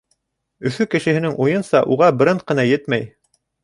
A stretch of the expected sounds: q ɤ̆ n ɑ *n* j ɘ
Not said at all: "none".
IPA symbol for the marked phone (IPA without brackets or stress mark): none